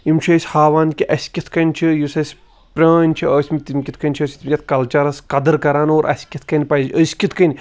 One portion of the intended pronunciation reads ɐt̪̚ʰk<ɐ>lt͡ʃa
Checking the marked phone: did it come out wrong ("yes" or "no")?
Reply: no